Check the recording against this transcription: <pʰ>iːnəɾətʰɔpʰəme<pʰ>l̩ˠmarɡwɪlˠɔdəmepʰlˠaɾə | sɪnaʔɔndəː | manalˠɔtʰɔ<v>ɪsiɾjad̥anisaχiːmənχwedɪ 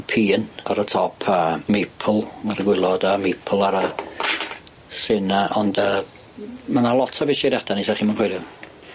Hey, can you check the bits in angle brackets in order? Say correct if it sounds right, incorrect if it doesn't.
correct, correct, correct

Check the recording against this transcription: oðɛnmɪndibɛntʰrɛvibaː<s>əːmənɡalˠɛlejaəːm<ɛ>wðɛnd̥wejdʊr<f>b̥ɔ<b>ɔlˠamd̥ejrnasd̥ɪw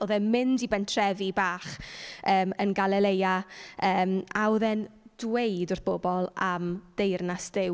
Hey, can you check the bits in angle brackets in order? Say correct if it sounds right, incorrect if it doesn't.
incorrect: χ, incorrect: a, incorrect: θ, correct

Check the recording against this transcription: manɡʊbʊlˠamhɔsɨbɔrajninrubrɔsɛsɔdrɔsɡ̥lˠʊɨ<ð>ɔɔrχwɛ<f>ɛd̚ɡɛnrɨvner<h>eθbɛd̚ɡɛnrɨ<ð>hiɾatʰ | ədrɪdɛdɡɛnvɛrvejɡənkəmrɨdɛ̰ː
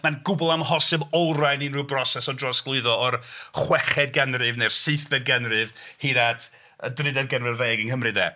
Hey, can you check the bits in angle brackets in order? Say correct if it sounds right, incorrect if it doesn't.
correct, incorrect: χ, incorrect: s, incorrect: v

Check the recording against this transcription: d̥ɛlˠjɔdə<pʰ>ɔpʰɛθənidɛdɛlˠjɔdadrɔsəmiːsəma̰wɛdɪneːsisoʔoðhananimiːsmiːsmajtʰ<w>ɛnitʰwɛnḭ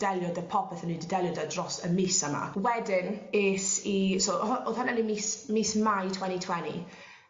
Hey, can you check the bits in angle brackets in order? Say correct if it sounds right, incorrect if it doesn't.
correct, correct

